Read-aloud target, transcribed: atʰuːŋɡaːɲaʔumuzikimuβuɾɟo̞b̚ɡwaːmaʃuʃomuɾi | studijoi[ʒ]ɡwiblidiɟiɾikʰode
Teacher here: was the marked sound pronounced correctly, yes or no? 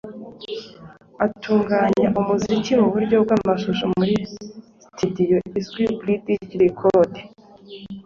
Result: no